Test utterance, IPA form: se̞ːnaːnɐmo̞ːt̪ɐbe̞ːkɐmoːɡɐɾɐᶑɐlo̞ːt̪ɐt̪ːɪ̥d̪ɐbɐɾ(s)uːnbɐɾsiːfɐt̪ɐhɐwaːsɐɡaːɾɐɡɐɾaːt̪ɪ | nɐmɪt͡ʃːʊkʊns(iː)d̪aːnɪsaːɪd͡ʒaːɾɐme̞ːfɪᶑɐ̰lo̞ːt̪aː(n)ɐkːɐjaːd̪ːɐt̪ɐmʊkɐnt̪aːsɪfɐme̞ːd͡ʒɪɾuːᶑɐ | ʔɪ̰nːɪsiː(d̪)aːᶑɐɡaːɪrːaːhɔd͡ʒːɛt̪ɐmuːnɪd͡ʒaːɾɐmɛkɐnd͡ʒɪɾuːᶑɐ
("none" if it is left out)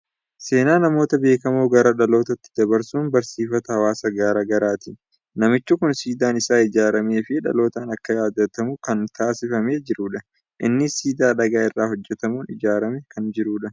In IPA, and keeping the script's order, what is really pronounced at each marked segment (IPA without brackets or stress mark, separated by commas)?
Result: s, iː, n, d̪